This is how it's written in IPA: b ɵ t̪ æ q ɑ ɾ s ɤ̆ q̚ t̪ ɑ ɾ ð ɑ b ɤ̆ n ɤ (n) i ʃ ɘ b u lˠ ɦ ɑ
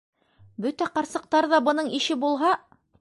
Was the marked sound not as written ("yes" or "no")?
yes